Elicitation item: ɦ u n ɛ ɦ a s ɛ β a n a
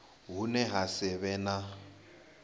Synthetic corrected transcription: ɦ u n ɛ ɦ a s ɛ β ɛ n a